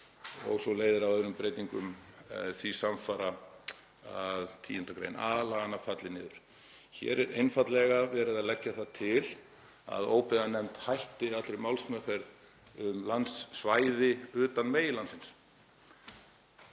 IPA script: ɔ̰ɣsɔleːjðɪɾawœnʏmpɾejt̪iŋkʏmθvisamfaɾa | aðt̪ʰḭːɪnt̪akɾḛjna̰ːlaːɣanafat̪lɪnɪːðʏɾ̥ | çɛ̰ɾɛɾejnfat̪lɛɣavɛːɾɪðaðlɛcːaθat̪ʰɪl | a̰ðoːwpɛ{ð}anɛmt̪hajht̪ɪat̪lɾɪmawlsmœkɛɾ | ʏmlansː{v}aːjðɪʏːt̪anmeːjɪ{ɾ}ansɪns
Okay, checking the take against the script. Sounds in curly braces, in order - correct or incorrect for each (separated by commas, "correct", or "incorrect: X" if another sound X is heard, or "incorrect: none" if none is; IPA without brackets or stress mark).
correct, correct, incorrect: l